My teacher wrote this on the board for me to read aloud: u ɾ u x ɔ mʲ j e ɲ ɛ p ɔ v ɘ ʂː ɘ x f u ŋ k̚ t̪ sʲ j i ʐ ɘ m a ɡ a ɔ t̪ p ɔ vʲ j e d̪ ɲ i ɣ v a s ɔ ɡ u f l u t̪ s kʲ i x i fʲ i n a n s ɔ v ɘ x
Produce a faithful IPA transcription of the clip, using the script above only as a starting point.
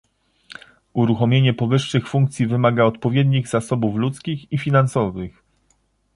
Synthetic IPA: u ɾ u x ɔ mʲ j e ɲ ɛ p ɔ v ɘ ʂː ɘ x f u ŋ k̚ t̪ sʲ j i v ɘ m a ɡ a ɔ t̪ p ɔ vʲ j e d̪ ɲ i ɣ z a s ɔ b u f l u t̪ s kʲ i x i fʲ i n a n s ɔ v ɘ x